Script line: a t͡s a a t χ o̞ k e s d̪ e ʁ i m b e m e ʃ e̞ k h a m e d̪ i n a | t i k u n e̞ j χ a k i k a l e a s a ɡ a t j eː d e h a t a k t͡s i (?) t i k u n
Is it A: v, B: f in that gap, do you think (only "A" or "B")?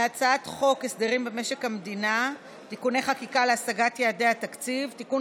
A